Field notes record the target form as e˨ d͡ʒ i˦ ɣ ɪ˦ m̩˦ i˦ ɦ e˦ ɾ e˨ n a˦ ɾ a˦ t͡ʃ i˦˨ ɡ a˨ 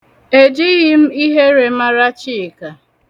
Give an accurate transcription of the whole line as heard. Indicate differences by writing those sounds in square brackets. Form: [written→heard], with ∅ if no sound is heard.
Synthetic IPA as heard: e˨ d͡ʒ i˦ ɣ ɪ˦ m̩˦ i˦ ɦ e˦ ɾ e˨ [n→m] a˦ ɾ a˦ t͡ʃ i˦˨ [ɡ→k] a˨